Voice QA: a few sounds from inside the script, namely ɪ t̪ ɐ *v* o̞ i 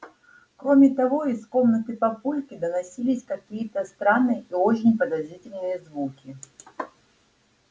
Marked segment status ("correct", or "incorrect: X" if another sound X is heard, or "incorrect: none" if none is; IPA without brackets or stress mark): correct